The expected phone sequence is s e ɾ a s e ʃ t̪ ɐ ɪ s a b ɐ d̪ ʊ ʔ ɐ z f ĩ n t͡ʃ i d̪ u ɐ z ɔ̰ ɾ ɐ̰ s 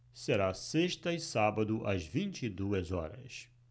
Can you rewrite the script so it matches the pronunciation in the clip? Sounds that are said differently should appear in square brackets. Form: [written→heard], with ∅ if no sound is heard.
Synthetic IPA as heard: s e ɾ a s e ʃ t̪ ɐ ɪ s a b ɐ d̪ ʊ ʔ ɐ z [f→v] ĩ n t͡ʃ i d̪ u ɐ z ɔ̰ ɾ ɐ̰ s